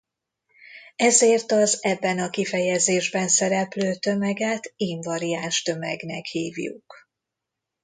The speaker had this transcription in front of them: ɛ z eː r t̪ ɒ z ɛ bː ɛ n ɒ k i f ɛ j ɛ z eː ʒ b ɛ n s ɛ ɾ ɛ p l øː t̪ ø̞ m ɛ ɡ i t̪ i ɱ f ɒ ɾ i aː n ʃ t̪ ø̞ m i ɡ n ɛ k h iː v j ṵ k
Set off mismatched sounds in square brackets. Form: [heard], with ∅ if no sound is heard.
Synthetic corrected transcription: ɛ z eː r t̪ ɒ z ɛ bː ɛ n ɒ k i f ɛ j ɛ z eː ʒ b ɛ n s ɛ ɾ ɛ p l øː t̪ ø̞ m ɛ ɡ [ɛ] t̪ i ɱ [v] ɒ ɾ i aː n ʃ t̪ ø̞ m [ɛ] ɡ n ɛ k h iː v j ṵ k

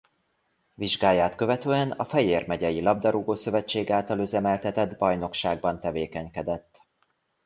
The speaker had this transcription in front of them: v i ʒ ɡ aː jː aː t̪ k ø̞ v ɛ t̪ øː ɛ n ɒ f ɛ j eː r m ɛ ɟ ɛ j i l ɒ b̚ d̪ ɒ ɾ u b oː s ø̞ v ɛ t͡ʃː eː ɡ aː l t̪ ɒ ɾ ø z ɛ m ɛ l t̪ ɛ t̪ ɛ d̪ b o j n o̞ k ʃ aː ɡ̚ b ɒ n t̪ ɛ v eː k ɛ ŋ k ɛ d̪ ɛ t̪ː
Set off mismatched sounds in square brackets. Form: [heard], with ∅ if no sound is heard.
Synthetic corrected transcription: v i ʒ ɡ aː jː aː t̪ k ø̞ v ɛ t̪ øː ɛ n ɒ f ɛ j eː r m ɛ ɟ ɛ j i l ɒ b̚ d̪ ɒ ɾ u [ɡ] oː s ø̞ v ɛ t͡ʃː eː ɡ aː l t̪ ɒ [l] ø z ɛ m ɛ l t̪ ɛ t̪ ɛ d̪ b [ɒ] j n o̞ k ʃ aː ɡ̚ b ɒ n t̪ ɛ v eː k ɛ [ɲ] k ɛ d̪ ɛ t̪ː

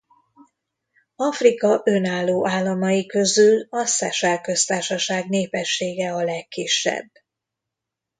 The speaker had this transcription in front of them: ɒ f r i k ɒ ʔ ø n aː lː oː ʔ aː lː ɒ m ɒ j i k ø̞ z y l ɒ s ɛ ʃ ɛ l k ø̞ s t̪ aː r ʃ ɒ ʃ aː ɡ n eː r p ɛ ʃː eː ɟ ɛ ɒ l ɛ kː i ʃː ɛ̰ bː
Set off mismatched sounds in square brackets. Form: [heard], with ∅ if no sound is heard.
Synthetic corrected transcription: ɒ f r i k ɒ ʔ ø n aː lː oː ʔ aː lː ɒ m ɒ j i k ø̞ z y l ɒ s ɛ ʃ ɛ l k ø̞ s t̪ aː r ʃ ɒ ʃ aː ɡ n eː [∅] p ɛ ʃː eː [ɡ] ɛ ɒ l ɛ kː i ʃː ɛ̰ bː

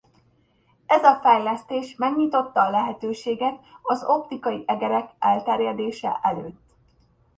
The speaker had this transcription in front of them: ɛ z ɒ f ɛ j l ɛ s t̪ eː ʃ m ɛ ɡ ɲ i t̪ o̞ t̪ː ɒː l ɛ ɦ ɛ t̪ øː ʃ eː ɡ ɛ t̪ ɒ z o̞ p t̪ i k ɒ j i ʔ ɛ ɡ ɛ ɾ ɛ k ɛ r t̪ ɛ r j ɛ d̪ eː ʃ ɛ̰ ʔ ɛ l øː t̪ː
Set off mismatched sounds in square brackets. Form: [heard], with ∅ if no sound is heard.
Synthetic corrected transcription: ɛ z ɒ f ɛ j l ɛ s t̪ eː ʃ m ɛ ɡ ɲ i t̪ o̞ t̪ː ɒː l ɛ ɦ ɛ t̪ øː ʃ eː ɡ ɛ t̪ ɒ z o̞ p t̪ i k ɒ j i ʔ ɛ ɡ ɛ ɾ ɛ k ɛ [l] t̪ ɛ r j ɛ d̪ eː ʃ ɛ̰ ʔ ɛ l øː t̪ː

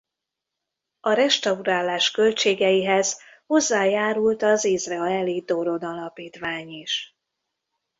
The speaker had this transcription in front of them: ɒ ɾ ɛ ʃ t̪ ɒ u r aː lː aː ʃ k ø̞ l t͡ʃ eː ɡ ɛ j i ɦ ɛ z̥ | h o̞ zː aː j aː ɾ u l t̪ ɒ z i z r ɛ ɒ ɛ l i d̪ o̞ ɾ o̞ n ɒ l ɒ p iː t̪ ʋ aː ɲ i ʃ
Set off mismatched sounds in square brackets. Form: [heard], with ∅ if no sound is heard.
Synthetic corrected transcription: ɒ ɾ ɛ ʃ t̪ ɒ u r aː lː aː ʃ k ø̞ l t͡ʃ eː ɡ ɛ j i ɦ ɛ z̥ | h o̞ zː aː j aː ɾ u l t̪ ɒ z i z r ɛ ɒ ɛ l i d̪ o̞ ɾ o̞ n ɒ l ɒ p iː t̪ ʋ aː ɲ i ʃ

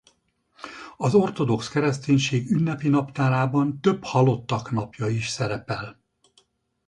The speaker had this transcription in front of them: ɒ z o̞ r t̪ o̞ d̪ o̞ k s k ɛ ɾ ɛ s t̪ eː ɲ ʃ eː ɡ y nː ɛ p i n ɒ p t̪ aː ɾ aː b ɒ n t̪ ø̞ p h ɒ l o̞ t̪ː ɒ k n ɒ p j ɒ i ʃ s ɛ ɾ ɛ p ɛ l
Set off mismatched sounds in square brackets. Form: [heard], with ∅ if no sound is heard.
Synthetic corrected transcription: ɒ z o̞ r t̪ o̞ d̪ o̞ k s k ɛ ɾ ɛ s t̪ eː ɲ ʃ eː ɡ y nː ɛ p i n ɒ p t̪ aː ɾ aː b ɒ n t̪ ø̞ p h ɒ l o̞ t̪ː ɒ k n ɒ p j ɒ i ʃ s ɛ ɾ ɛ p ɛ l

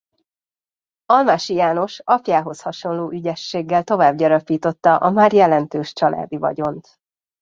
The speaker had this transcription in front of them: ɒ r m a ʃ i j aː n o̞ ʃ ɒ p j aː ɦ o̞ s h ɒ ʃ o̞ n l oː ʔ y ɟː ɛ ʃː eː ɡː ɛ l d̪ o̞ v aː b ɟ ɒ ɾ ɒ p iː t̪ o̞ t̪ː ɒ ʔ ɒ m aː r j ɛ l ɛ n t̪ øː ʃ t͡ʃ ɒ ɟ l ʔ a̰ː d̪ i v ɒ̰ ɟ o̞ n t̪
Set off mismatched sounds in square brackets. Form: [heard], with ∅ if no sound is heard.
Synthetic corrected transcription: ɒ [l] m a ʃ i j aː n o̞ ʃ ɒ p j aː ɦ o̞ s h ɒ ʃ o̞ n l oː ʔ y [ɟ] ɛ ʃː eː ɡː ɛ l [t̪] o̞ v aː b ɟ ɒ ɾ ɒ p iː t̪ o̞ t̪ː ɒ ʔ ɒ m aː r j ɛ l ɛ n t̪ øː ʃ t͡ʃ ɒ [∅] l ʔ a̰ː d̪ i v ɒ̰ ɟ o̞ n t̪

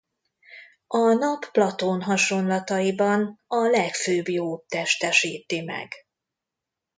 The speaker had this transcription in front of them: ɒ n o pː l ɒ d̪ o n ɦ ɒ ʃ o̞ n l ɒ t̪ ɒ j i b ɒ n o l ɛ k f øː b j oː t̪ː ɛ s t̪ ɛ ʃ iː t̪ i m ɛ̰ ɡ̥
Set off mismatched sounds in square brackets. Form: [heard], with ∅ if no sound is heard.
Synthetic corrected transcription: ɒ n [ɒ] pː l ɒ [t̪] o n ɦ ɒ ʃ o̞ n l ɒ t̪ ɒ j i b ɒ n [ɒ] l ɛ k f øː b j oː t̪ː ɛ [ʃ] t̪ ɛ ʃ iː t̪ i m ɛ̰ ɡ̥

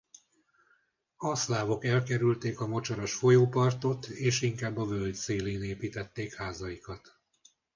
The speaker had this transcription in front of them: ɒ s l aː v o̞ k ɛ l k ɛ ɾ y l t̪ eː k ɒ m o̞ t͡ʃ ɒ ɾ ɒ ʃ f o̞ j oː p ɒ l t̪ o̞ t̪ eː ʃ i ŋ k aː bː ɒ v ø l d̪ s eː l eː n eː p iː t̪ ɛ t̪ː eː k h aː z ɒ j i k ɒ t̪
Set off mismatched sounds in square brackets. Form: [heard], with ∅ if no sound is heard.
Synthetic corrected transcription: ɒ s l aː v o̞ k ɛ l k ɛ ɾ y l t̪ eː k ɒ m o̞ t͡ʃ ɒ ɾ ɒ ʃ f o̞ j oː p ɒ [r] t̪ o̞ t̪ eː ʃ i ŋ k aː bː ɒ v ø l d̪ s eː l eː n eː p iː t̪ ɛ t̪ː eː k h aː z ɒ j i k ɒ t̪

